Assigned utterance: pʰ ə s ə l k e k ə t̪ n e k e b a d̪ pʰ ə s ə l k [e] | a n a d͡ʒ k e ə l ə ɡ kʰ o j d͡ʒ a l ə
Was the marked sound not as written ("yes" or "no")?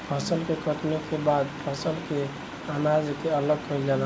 no